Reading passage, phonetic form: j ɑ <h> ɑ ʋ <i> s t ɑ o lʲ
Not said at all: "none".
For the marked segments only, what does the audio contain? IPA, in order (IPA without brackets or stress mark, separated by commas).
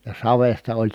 s, e